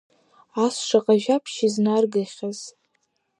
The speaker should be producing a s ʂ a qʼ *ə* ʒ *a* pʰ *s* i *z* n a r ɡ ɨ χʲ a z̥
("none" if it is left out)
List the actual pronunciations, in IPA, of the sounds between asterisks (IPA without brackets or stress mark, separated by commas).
a, a, ʃ, z